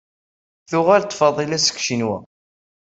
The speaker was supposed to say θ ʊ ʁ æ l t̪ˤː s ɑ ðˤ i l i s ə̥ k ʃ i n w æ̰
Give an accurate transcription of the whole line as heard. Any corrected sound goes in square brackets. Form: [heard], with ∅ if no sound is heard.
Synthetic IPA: θ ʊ ʁ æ l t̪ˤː [f] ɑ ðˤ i l [æ] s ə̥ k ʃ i n w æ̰